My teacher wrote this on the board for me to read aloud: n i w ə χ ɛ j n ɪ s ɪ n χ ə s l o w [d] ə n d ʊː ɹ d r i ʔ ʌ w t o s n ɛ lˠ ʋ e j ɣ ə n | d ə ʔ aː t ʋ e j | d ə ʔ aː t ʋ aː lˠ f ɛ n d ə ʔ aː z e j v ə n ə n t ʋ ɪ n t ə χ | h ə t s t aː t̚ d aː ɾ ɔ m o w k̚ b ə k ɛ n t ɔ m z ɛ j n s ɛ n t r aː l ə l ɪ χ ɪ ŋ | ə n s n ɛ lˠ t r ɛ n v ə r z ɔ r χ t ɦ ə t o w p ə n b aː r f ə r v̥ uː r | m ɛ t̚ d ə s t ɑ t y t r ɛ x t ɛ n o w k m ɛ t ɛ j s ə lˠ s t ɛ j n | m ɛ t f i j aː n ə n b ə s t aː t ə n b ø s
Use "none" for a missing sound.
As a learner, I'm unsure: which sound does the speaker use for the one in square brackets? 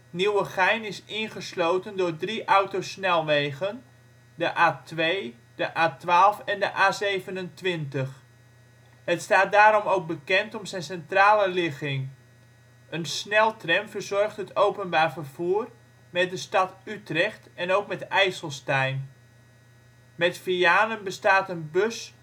t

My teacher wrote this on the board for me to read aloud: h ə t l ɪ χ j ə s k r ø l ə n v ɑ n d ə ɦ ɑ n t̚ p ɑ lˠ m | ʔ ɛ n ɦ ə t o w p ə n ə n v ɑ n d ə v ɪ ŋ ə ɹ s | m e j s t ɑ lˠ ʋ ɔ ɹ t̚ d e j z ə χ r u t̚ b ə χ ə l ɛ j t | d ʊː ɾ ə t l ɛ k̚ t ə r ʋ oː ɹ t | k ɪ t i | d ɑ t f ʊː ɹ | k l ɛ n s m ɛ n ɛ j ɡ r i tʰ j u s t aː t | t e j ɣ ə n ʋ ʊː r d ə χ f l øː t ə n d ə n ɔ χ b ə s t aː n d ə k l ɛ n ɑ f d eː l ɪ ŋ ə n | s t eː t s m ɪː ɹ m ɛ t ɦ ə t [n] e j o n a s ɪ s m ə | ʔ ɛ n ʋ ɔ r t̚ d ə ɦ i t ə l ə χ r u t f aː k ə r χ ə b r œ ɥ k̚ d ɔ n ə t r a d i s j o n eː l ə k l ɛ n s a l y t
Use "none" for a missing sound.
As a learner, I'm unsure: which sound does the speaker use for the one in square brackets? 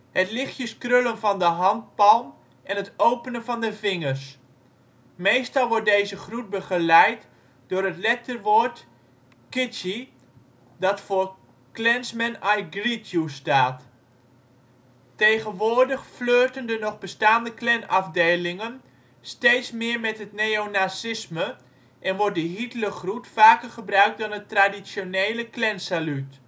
n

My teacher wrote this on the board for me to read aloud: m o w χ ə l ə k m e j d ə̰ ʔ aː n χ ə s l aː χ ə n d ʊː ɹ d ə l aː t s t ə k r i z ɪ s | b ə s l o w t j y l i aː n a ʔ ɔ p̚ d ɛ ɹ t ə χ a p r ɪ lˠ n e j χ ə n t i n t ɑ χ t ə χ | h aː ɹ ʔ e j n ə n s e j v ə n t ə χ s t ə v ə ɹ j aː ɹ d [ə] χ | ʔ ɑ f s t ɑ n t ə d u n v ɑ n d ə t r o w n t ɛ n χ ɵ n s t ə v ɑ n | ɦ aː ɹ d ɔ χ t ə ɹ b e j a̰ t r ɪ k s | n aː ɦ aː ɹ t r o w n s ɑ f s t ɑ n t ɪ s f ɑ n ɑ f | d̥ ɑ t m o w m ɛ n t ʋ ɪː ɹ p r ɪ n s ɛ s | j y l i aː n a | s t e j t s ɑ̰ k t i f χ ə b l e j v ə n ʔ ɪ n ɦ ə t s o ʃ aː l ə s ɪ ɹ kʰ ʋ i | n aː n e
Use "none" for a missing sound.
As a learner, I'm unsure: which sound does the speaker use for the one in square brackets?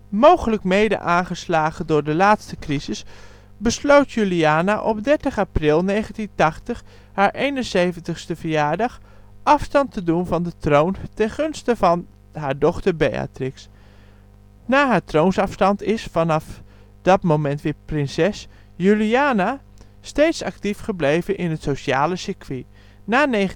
ɑ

